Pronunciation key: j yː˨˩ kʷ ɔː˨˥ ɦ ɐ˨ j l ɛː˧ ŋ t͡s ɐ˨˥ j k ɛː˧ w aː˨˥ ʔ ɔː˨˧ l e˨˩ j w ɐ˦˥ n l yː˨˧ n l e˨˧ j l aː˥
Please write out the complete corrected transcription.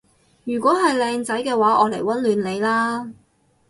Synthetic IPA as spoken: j yː˨˩ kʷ ɔː˨˥ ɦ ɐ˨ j l ɛː˧ ŋ t͡s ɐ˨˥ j k ɛː˧ w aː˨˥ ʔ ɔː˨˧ l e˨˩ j w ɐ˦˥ n l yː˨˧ n l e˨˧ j l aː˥